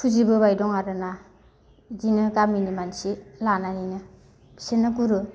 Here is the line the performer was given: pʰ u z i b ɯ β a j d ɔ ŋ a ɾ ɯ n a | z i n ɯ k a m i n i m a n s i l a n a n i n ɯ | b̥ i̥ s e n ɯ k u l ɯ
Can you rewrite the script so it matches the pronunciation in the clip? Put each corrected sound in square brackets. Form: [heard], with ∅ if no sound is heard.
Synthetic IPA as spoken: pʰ u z i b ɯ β a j d ɔ ŋ a ɾ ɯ n a | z i n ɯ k a m i n i m a n s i l a n a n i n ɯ | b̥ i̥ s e n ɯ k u [ɾ] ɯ